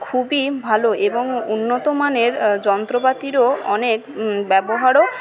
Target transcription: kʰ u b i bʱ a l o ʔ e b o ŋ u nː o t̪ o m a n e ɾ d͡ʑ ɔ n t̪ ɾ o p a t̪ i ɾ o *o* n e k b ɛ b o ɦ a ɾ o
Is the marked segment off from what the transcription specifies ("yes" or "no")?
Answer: yes